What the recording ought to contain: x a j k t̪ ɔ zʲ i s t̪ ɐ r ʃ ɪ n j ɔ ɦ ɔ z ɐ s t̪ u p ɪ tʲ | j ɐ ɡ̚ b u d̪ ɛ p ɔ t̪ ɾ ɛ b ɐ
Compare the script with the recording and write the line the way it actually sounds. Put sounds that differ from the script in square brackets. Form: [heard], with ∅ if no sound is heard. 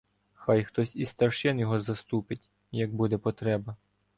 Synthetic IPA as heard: x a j [x] t̪ ɔ [sʲ] i s t̪ ɐ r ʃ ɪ n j ɔ ɦ ɔ z ɐ s t̪ u p ɪ tʲ | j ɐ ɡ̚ b u d̪ ɛ p ɔ t̪ ɾ ɛ b ɐ